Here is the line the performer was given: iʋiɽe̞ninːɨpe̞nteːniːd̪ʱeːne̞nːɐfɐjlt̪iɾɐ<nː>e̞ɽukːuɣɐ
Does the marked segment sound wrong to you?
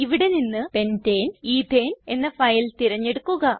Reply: yes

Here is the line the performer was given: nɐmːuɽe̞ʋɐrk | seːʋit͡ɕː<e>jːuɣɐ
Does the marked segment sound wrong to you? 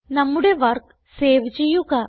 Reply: no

